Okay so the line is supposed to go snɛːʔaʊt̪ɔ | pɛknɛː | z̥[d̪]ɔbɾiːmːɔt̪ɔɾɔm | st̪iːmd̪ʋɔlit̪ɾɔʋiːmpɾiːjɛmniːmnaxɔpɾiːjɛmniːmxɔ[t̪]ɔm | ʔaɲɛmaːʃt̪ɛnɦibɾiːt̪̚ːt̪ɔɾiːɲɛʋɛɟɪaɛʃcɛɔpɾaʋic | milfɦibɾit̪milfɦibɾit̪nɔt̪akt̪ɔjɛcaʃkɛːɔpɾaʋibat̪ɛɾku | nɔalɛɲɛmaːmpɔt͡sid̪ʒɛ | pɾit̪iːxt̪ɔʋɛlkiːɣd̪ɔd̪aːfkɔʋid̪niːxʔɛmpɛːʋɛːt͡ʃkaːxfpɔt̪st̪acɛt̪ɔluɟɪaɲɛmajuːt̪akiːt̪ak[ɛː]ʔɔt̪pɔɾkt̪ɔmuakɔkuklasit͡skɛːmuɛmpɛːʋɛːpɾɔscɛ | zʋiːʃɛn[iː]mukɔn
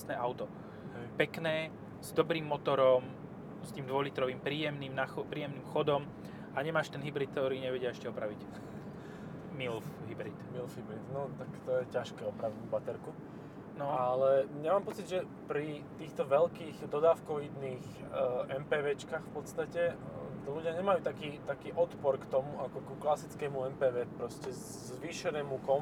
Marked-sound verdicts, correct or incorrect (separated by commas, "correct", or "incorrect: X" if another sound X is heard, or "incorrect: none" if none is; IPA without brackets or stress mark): correct, incorrect: d̪, incorrect: iː, incorrect: ɛː